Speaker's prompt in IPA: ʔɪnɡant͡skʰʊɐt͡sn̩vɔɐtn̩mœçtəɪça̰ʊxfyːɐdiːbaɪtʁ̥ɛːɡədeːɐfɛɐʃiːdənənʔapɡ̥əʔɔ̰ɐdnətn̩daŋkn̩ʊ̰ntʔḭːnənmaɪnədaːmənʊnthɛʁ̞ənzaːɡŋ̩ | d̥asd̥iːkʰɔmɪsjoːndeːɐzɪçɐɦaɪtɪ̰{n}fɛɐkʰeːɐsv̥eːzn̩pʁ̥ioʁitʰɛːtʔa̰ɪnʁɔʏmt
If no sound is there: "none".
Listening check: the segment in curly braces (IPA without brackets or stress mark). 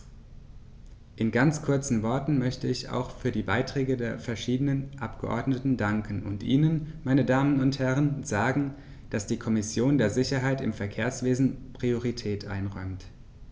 m